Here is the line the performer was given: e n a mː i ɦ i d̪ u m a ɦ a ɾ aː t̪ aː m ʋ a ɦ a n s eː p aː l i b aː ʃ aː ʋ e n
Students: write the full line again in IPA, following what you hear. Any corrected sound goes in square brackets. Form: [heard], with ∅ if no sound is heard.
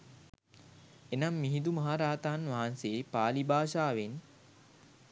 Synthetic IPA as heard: e n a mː i ɦ i d̪ u m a ɦ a ɾ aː t̪ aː [n] ʋ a ɦ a n s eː p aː l i b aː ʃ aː ʋ e n